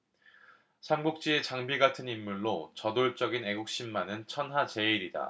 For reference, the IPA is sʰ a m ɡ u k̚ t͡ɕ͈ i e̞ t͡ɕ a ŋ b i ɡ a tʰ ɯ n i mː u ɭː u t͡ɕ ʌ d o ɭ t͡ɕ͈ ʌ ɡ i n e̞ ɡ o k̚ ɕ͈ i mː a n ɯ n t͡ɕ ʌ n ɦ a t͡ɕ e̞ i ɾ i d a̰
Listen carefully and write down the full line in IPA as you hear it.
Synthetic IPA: sʰ a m ɡ u k̚ t͡ɕ͈ i e̞ t͡ɕ a ŋ b i ɡ a tʰ ɯ n i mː u ɭː o t͡ɕ ʌ d o ɭ t͡ɕ͈ ʌ ɡ i n e̞ ɡ u k̚ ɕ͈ i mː a n ɯ n t͡ɕʰ ʌ n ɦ a t͡ɕ e̞ i ɾ i d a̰